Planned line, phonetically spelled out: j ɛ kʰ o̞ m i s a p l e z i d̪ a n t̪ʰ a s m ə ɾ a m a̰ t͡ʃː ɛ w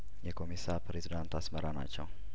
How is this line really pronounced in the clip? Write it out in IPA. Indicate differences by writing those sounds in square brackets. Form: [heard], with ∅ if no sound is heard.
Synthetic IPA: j ɛ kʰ o̞ m i s a p [ɾ] e z i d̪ a n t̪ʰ a s m ə ɾ a [n] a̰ t͡ʃː ɛ w